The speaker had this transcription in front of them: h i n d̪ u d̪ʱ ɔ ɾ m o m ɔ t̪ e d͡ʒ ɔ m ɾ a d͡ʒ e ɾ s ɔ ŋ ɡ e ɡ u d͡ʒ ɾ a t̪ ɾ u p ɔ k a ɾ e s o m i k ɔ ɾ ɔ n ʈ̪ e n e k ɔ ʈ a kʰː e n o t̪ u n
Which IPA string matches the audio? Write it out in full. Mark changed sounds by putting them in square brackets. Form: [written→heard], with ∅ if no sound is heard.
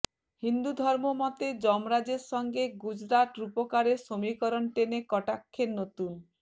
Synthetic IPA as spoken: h i n d̪ u d̪ʱ ɔ ɾ m o m ɔ t̪ e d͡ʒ ɔ m ɾ a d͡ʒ e ɾ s ɔ ŋ ɡ e ɡ u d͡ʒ ɾ a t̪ ɾ u p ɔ k a ɾ e s o m i k ɔ ɾ ɔ n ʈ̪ e n e k ɔ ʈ a kʰː e n o t̪ u n